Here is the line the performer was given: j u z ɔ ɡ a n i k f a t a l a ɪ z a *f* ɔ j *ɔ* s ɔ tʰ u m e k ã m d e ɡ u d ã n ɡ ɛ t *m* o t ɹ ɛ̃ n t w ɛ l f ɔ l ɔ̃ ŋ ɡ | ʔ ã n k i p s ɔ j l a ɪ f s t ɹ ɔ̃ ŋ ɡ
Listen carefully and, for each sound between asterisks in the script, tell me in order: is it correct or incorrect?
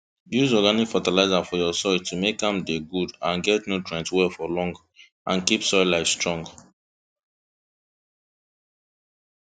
correct, correct, incorrect: n

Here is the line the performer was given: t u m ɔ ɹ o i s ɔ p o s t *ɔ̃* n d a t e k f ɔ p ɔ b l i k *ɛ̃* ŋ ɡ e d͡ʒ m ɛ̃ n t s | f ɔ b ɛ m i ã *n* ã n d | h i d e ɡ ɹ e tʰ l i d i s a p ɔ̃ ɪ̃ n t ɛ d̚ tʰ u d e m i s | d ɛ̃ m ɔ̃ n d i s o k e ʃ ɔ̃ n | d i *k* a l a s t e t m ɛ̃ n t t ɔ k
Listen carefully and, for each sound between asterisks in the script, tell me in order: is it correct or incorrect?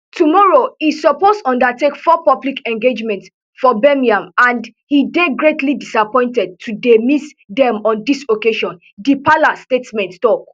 correct, correct, incorrect: m, incorrect: p

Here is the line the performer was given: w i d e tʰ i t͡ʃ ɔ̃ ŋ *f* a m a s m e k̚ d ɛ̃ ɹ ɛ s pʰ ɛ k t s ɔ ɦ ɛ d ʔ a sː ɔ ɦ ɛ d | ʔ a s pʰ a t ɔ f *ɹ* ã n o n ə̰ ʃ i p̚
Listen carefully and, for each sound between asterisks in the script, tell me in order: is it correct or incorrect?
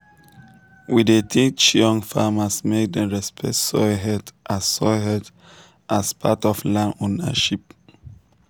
correct, incorrect: l

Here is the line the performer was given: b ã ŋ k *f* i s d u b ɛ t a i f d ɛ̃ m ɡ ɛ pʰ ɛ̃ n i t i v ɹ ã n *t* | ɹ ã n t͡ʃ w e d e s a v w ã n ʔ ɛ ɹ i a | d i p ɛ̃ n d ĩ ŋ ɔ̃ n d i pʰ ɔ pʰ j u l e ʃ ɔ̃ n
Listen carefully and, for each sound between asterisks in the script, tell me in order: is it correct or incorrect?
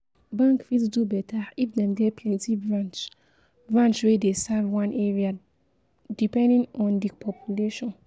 correct, incorrect: t͡ʃ

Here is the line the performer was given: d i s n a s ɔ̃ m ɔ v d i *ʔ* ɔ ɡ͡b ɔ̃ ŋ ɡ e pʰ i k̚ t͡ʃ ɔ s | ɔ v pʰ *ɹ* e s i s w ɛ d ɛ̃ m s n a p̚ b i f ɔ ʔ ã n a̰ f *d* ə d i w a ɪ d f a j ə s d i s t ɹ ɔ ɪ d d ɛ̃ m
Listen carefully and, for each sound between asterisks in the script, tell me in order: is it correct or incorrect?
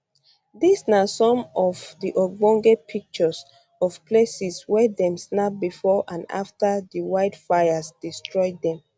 correct, incorrect: l, incorrect: t

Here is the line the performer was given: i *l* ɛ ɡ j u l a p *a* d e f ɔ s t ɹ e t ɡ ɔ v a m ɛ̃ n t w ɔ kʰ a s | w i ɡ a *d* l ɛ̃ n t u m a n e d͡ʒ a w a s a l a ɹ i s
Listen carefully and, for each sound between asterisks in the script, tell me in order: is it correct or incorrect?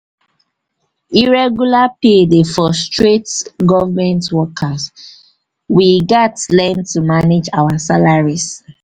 incorrect: ɹ, incorrect: e, incorrect: t

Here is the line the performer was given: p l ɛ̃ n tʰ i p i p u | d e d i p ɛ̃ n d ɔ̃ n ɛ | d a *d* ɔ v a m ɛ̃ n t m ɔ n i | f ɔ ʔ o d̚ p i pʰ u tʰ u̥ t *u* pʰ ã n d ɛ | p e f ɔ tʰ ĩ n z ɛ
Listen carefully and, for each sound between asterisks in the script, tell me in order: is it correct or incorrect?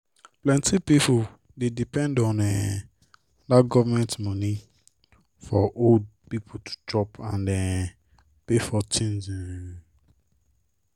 incorrect: ɡ, incorrect: ɔ

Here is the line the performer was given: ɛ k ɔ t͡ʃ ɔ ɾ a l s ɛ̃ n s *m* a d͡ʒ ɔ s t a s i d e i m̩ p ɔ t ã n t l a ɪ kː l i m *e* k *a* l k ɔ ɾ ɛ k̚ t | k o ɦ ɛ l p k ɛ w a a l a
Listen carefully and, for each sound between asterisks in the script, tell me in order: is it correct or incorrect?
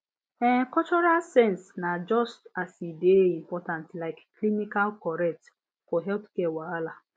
incorrect: n, incorrect: i, correct

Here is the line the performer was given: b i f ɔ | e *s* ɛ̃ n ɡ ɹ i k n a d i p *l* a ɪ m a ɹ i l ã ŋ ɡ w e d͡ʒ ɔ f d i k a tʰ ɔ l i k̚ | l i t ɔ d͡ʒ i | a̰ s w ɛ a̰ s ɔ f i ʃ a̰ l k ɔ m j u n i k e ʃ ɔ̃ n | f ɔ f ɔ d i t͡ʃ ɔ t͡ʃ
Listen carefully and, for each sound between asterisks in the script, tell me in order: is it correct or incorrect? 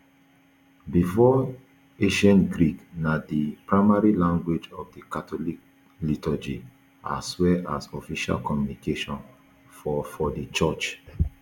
incorrect: ʃ, incorrect: ɹ

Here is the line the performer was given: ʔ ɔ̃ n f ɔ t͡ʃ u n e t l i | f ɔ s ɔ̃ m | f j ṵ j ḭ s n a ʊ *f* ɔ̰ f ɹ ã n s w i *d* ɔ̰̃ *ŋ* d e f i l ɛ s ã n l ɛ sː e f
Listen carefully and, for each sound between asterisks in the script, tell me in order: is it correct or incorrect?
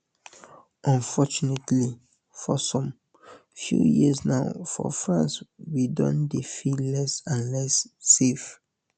correct, correct, incorrect: n

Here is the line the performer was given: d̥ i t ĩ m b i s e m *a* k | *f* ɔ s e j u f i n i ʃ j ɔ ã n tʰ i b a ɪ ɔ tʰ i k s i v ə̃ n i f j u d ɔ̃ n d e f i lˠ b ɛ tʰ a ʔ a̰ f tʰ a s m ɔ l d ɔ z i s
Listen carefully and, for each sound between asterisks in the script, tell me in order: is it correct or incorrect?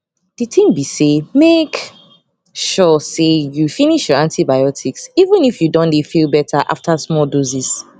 incorrect: e, incorrect: ʃ

